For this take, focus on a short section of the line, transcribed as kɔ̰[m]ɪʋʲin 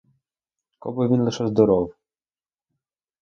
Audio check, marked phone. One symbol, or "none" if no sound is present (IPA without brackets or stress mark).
b